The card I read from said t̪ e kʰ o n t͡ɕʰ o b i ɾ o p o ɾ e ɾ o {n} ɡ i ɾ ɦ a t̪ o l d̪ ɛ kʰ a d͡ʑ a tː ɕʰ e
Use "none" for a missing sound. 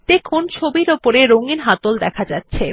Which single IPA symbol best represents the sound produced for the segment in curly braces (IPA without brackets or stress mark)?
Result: ŋ